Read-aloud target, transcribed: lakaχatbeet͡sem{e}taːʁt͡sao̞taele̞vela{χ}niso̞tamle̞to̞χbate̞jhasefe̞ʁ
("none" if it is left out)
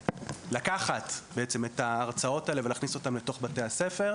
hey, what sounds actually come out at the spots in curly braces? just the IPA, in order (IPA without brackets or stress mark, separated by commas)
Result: e, χ